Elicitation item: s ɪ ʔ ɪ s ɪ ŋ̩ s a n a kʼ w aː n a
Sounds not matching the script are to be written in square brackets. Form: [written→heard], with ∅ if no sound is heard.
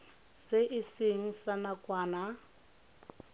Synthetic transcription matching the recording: s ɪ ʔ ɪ s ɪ ŋ̩ s a n a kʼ w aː n a